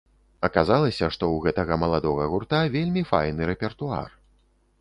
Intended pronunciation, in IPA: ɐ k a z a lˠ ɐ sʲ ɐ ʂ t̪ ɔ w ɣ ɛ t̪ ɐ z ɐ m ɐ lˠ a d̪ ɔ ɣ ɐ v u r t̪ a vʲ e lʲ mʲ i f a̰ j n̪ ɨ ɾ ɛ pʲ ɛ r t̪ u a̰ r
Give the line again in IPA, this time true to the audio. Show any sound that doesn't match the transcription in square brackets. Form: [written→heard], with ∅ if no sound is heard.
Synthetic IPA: ɐ k a z a lˠ ɐ sʲ ɐ ʂ t̪ ɔ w ɣ ɛ t̪ ɐ [z→ɣ] ɐ m ɐ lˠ a d̪ ɔ ɣ ɐ [v→ɣ] u r t̪ a vʲ e lʲ mʲ i f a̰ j n̪ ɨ ɾ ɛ pʲ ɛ r t̪ u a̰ r